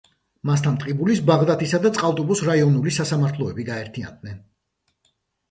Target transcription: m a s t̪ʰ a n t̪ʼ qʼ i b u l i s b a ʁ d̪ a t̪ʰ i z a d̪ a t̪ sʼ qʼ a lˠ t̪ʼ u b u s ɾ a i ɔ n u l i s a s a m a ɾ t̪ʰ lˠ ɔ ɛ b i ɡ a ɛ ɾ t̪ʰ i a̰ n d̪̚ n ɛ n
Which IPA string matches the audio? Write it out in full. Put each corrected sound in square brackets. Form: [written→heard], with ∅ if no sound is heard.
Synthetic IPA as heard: m a s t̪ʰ a n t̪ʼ qʼ i b u l i s b a ʁ d̪ a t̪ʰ i [z→s] a d̪ a t̪ sʼ qʼ a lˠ t̪ʼ u b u s ɾ a i ɔ n u l i s a s a m a ɾ t̪ʰ lˠ ɔ ɛ b i ɡ a ɛ ɾ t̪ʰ i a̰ n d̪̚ n ɛ n